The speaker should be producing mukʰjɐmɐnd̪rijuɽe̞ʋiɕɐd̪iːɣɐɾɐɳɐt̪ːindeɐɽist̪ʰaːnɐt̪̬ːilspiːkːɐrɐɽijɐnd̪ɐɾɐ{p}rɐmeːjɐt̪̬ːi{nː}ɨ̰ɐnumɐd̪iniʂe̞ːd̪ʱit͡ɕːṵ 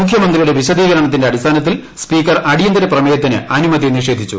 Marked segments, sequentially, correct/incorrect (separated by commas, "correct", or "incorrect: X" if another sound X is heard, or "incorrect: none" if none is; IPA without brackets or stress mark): correct, incorrect: n